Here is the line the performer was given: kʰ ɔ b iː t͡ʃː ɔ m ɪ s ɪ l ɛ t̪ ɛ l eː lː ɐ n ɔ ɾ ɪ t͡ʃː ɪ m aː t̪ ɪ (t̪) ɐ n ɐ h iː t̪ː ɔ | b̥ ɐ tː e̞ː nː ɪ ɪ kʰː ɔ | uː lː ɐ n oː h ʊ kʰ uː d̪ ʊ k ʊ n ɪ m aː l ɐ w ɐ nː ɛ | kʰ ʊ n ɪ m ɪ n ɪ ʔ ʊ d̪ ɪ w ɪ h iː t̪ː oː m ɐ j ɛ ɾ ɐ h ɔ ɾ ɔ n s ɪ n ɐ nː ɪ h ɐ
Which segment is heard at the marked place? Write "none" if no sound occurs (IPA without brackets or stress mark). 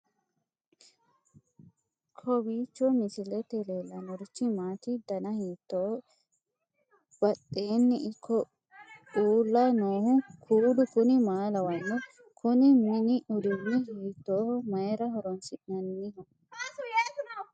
d̪